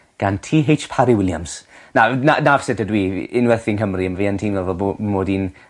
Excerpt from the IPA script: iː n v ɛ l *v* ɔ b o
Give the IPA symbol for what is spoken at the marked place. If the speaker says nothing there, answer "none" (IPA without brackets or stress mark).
v